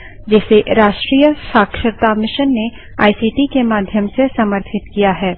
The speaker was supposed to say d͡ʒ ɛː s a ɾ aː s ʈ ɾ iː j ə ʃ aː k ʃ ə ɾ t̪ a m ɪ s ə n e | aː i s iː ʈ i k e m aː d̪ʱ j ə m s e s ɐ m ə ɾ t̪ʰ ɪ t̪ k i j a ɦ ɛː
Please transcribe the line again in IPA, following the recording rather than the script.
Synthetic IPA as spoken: d͡ʒ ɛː s e ɾ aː ʃ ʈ ɾ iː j ə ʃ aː k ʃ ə ɾ t̪ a m ɪ ʃ ə nː e | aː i s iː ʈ i k e m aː d̪ʱ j ə m s e s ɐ m ə ɾ t̪ʰ ɪ t̪ k i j a ɦ ɛː

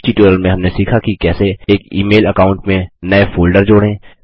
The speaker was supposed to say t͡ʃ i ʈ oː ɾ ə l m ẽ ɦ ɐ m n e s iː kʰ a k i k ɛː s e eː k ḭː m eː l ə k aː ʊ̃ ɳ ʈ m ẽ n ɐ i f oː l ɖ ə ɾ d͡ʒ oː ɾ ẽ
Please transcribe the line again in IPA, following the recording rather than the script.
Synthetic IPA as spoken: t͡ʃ i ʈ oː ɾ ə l m ẽ ɦ ɐ m n e s iː kʰ a k i k ɛː s e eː k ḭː m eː l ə k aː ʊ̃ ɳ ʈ m ẽ n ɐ e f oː l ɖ ə ɾ d͡ʒ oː ɽ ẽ

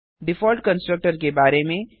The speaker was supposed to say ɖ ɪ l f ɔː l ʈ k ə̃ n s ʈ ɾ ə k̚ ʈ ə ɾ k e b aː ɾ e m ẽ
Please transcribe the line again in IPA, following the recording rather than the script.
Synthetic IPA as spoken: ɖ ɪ f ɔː l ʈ k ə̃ n s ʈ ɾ ə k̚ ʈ ə ɾ k e b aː ɾ e m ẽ

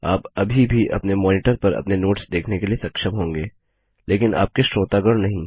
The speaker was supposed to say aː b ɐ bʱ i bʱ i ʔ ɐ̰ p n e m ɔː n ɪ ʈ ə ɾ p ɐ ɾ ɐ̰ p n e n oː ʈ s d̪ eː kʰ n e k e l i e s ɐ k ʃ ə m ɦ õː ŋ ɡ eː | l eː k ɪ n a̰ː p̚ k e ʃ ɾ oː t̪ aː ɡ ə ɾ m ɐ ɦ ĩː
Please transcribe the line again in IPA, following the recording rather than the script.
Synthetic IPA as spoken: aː p ɐ bʱ i bʱ i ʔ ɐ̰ p n e m ɔː n ɪ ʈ ə ɾ p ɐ ɾ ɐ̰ p n e n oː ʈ s d̪ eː kʰ n e k e l i e s ɐ k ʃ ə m ɦ õː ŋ ɡ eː | l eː k ɪ n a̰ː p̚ k e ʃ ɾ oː t̪ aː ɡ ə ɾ n ɐ ɦ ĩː

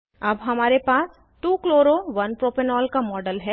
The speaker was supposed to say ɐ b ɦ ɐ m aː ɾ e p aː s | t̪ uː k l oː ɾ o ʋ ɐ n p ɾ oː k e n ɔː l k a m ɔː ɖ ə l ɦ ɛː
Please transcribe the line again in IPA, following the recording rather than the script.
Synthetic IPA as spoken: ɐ b ɦ ɐ m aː ɾ e p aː s | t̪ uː k l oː ɾ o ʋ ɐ n p ɾ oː p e n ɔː l k a m ɔː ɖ ə l ɦ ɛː

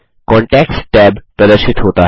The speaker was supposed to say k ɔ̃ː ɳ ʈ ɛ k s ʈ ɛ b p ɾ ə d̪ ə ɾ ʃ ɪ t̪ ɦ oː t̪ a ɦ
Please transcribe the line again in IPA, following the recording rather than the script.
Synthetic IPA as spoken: k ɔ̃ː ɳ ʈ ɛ k s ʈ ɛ b p ɾ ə d̪ ə ɾ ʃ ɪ t̪ ɦ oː t̪ a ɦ

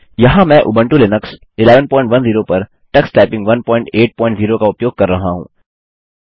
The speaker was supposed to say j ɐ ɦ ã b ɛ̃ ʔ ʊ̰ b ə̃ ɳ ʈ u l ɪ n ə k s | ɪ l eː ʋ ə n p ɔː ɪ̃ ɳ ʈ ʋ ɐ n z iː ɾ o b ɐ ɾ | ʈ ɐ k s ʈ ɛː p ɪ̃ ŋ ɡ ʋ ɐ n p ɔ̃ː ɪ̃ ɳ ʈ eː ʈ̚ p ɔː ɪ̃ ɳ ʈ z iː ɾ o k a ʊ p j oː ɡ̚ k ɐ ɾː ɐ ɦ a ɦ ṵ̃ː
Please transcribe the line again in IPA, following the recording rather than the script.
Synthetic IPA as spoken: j ɐ ɦ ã m ɛ̃ ʔ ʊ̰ b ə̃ ɳ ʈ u l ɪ n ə k s | ɪ l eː ʋ ə n p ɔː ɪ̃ ɳ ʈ ʋ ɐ n z iː ɾ o p ɐ ɾ | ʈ ɐ k s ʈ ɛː p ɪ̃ ŋ ɡ ʋ ɐ n p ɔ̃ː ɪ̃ ɳ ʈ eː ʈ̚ p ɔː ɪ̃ ɳ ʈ z iː ɾ o k a ʊ p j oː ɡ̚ k ɐ ɾː ɐ ɦ a ɦ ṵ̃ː

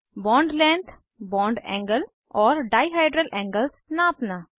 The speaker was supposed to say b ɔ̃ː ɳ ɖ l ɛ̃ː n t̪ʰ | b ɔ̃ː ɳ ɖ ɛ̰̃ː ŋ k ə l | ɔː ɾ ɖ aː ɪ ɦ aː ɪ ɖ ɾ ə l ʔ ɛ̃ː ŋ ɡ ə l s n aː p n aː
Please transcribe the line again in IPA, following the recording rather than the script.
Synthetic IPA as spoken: b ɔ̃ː ɳ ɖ l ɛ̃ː n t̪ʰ | b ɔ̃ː ɳ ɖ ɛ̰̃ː ŋ ɡ ə l | ɔː ɾ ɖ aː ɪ ɦ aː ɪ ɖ ɾ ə l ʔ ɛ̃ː ŋ ɡ ə l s n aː p n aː

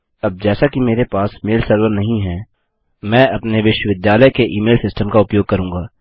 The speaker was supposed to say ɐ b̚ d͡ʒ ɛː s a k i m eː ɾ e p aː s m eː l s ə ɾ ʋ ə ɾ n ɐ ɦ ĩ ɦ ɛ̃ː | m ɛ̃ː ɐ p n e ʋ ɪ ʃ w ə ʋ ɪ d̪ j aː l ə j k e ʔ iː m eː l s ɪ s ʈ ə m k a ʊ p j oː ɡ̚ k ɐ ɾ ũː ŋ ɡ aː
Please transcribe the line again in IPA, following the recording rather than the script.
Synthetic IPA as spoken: ɐ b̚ d͡ʒ ɛː s a k i m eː ɾ e p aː s m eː l s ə ɾ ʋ ə ɾ n ɐ ɦ ĩ ɦ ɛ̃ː | m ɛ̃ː ɐ p n e ʋ ɪ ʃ w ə ʋ ɪ d̪ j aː l ə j k e ʔ iː m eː l s ɪ s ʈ ə m k a ʊ p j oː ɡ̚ k ɐ ɾ ũː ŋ ɡ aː

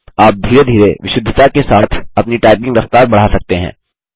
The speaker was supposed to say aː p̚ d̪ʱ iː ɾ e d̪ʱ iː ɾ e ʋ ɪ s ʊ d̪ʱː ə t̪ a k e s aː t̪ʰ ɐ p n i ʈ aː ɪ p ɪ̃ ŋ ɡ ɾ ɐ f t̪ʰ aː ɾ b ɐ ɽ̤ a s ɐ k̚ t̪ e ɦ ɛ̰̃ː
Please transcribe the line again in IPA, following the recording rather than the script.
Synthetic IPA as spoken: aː p̚ d̪ʱ iː ɾ e d̪ʱ iː ɾ e ʋ ɪ ʃ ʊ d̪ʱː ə t̪ a k e s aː t̪ʰ ɐ p n i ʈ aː ɪ p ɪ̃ ŋ ɡ ɾ ɐ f t̪ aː ɾ b ɐ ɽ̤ a s ɐ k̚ t̪ e ɦ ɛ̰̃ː

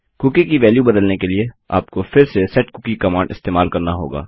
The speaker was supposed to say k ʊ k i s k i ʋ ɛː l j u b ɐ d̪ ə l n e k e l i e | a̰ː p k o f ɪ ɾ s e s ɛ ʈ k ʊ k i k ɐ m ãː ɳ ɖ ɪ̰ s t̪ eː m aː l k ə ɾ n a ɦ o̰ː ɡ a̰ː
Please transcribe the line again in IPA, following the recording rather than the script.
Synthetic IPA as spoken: k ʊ k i k i ʋ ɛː l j u b ɐ d̪ ə l n e k e l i e | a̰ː p k o f ɪ ɾ s e s ɛ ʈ k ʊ k i k ɐ m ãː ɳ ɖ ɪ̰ s t̪ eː m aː l k ɐ ɾ n a ɦ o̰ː ɡ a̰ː

